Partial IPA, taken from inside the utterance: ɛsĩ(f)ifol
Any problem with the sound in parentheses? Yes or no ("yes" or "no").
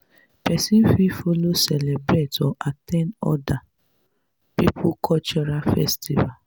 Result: no